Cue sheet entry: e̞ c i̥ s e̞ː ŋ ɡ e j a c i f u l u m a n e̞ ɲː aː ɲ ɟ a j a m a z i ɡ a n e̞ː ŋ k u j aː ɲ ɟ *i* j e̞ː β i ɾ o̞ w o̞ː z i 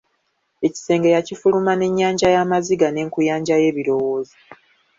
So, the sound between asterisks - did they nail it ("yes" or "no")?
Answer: no